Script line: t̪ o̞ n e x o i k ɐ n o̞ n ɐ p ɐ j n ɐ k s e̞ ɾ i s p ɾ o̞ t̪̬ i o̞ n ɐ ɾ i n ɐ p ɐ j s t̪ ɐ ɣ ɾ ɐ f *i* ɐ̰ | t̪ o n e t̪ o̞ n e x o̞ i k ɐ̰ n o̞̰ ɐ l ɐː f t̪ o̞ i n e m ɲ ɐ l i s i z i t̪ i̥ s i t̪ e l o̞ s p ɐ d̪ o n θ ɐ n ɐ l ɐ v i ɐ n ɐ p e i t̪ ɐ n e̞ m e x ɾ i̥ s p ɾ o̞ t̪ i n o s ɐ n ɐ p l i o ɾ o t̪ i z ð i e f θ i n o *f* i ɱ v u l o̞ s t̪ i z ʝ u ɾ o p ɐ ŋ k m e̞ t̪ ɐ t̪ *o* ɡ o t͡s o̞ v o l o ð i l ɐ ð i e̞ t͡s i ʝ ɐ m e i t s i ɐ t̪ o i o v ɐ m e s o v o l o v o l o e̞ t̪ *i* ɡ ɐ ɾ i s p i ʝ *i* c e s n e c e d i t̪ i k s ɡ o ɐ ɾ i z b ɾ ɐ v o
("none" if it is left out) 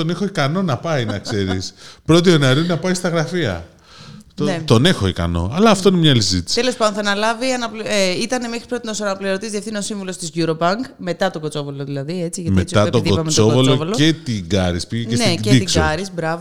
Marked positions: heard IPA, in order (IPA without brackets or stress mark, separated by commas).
i, s, o, i, e